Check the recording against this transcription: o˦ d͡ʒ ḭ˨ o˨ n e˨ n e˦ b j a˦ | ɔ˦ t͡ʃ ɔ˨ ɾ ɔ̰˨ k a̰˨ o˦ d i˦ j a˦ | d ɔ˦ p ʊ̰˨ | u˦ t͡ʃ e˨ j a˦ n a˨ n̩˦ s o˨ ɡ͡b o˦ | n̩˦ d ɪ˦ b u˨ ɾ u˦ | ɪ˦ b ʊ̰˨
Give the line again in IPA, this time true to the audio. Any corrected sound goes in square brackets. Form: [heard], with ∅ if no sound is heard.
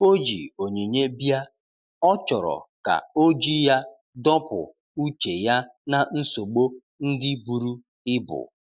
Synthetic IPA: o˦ d͡ʒ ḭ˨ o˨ [ɲ] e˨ [ɲ] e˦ b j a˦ | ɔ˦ t͡ʃ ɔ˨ ɾ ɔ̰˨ k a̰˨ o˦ [d͡ʒ] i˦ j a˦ | d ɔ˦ p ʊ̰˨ | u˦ t͡ʃ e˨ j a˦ n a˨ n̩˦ s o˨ ɡ͡b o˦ | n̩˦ d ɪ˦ b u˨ ɾ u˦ | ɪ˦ b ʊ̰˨

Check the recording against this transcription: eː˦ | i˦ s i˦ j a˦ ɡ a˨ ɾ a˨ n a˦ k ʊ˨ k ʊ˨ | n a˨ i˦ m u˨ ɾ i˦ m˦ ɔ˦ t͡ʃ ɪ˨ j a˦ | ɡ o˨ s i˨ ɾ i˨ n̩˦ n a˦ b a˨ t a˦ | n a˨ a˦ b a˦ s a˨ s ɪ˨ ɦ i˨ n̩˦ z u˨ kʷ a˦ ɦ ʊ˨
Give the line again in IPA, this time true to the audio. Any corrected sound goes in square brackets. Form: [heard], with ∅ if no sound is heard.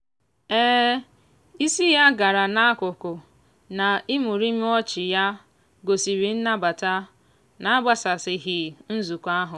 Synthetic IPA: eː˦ | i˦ s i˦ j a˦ ɡ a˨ ɾ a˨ n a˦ k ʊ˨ k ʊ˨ | n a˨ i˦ m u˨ ɾ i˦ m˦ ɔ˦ t͡ʃ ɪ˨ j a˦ | ɡ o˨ s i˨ ɾ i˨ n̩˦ n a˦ b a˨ t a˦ | n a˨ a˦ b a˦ s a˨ s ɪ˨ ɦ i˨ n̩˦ z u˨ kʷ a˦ ɦ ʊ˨

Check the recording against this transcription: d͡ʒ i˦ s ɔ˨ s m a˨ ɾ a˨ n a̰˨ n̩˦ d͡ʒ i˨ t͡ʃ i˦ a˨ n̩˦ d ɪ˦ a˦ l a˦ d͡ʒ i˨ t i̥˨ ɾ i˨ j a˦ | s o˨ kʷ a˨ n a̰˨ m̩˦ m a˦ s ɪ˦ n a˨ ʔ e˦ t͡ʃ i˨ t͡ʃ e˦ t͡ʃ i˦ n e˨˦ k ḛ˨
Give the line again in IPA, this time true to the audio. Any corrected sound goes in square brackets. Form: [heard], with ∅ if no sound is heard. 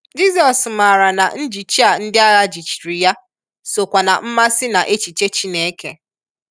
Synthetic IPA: d͡ʒ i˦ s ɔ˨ s m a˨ ɾ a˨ n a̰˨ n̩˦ d͡ʒ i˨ t͡ʃ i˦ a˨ n̩˦ d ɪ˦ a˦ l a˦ d͡ʒ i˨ [t͡ʃ] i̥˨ ɾ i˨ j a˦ | s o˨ kʷ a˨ n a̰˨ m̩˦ m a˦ s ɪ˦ n a˨ ʔ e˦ t͡ʃ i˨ t͡ʃ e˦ t͡ʃ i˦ n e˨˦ k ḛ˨

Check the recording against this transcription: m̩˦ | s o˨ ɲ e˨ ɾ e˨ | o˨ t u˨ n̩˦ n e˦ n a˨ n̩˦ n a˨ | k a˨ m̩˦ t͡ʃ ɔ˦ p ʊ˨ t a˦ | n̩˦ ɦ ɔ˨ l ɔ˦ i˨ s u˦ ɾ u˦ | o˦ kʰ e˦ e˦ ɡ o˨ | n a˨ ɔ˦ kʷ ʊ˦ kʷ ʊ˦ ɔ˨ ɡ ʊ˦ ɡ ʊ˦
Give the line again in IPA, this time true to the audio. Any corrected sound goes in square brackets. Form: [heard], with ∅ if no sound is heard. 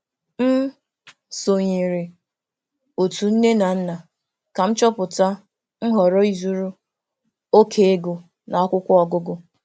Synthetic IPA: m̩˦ | s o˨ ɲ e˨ ɾ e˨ | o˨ t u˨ n̩˦ n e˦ n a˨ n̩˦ n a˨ | k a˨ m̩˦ t͡ʃ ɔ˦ p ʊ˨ t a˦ | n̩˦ ɦ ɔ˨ [ɾ] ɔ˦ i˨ [z] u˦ ɾ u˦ | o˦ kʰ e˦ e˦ ɡ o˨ | n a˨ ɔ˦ kʷ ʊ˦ kʷ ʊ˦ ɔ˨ ɡ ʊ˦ ɡ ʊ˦

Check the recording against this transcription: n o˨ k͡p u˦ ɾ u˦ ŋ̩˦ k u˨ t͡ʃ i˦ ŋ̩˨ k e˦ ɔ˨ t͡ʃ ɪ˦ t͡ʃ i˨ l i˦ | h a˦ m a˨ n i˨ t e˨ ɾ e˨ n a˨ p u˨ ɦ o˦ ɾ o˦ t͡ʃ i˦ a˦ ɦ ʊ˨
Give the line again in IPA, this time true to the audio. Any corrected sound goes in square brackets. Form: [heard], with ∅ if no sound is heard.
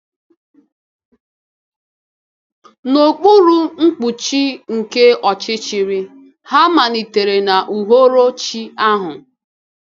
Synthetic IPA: n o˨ k͡p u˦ ɾ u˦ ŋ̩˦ [k͡p] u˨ t͡ʃ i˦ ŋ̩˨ k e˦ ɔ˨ t͡ʃ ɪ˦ t͡ʃ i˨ [ɾ] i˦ | h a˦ m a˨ n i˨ t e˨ ɾ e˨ n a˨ [ʔ] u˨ ɦ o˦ ɾ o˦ t͡ʃ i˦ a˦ ɦ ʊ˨

